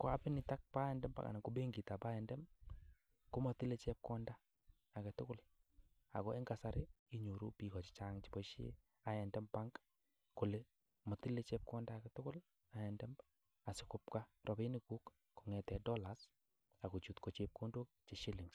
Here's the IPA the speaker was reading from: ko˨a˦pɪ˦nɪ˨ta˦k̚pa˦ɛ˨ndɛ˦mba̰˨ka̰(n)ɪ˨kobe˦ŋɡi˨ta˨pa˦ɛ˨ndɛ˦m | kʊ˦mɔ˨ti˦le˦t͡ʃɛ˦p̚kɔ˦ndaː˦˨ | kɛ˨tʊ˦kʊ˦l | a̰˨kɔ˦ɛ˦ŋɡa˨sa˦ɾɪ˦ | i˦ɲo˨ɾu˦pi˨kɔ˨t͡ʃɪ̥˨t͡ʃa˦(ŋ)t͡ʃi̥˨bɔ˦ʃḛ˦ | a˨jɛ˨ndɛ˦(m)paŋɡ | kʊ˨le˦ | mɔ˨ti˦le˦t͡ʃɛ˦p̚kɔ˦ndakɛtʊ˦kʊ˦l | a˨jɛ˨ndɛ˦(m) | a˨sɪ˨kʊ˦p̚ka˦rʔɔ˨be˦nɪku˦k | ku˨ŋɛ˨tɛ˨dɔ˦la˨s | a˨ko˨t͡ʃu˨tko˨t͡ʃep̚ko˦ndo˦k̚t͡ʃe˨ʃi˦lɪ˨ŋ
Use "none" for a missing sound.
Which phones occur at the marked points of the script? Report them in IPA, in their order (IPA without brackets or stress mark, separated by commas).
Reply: n, ŋ, m, m